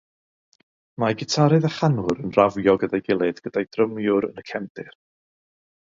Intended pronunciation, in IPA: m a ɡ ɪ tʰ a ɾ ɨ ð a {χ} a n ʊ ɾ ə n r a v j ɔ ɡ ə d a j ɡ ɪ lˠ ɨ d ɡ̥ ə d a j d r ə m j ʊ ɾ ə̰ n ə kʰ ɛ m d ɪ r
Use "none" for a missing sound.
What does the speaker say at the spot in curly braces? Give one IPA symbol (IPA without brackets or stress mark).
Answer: χ